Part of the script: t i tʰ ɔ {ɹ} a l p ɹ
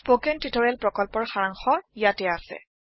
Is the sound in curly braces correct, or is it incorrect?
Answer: correct